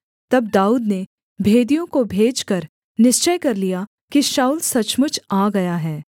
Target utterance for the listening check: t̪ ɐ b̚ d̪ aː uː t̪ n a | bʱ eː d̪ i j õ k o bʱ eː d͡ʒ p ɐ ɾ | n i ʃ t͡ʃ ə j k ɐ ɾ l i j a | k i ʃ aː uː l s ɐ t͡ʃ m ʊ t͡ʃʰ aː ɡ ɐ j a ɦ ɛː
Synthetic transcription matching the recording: t̪ ɐ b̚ d̪ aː uː d̪ n e | bʱ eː d̪ i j õ k o bʱ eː d͡ʒ k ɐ ɾ | n ɪ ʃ t͡ʃ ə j k ɐ ɾ l i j a | k i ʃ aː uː l s ɐ t͡ʃ m ʊ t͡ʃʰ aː ɡ ɐ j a ɦ ɛː